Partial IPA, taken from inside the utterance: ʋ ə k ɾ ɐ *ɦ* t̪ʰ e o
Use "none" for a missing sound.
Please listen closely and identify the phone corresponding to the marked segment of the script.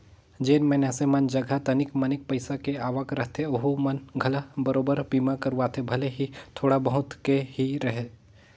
ɦ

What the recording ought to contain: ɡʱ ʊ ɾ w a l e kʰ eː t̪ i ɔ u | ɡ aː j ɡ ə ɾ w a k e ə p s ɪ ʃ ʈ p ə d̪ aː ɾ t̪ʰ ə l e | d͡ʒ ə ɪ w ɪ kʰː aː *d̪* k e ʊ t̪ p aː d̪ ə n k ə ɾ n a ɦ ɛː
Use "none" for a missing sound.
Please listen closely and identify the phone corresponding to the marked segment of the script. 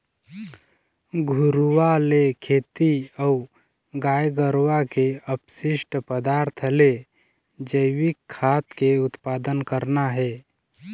t̪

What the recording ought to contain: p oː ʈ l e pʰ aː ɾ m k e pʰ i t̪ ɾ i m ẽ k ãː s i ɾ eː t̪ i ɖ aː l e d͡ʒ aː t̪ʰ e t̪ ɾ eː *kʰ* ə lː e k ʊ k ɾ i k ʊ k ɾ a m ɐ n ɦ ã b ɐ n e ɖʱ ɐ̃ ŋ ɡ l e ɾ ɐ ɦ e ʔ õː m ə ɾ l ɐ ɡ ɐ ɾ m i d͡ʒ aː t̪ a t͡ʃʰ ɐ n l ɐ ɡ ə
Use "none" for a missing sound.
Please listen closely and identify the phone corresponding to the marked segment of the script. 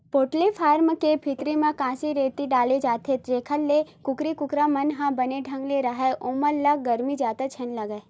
kʰ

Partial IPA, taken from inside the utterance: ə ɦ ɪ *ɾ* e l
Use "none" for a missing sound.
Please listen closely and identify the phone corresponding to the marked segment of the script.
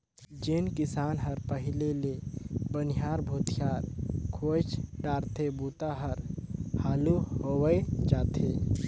l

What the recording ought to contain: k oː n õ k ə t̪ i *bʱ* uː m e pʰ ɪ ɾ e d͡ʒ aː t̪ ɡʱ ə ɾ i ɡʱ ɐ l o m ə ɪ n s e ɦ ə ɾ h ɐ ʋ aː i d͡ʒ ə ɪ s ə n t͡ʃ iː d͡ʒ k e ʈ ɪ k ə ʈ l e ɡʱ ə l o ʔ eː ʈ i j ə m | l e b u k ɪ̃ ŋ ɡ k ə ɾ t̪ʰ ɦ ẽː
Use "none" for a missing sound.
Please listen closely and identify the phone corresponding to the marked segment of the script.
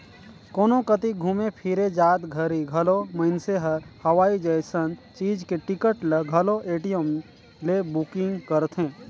ɡʱ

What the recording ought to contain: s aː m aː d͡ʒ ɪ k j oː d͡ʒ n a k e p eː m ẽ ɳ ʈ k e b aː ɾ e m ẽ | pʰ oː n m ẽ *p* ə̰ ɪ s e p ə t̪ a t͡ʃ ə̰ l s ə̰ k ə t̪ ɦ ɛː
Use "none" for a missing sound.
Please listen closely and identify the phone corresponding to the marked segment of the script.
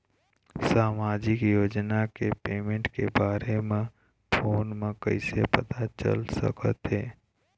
k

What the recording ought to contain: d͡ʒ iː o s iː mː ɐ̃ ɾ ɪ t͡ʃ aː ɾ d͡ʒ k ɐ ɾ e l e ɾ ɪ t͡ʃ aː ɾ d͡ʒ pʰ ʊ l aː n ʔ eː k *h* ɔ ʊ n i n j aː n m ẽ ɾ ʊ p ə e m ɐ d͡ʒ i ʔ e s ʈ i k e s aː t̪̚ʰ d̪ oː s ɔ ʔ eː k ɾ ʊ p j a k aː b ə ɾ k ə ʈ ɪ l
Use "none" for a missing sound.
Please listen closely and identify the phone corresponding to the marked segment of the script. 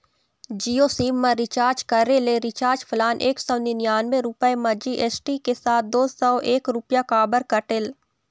s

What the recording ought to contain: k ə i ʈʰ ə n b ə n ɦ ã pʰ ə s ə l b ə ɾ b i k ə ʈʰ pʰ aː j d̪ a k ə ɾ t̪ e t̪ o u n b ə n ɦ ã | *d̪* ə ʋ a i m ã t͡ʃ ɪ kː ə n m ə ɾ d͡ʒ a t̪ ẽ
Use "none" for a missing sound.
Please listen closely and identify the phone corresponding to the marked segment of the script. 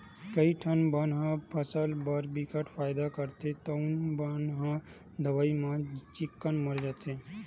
d̪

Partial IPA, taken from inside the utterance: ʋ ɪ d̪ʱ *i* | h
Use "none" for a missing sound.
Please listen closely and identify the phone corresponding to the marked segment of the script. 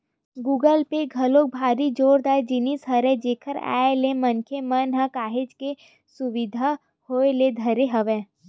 a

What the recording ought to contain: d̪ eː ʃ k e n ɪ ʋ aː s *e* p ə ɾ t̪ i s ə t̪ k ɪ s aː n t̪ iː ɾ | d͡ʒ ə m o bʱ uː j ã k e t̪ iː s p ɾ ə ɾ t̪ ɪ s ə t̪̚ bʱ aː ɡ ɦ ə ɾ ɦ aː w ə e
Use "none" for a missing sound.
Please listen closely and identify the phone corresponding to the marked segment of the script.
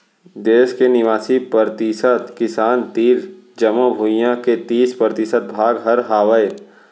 i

